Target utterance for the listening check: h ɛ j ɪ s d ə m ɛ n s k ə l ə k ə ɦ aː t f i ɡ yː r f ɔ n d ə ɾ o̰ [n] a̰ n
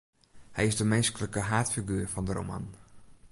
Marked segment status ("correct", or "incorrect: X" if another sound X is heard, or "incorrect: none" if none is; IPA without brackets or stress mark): incorrect: m